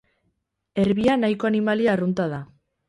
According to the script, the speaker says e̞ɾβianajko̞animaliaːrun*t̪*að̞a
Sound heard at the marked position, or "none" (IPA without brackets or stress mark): t̪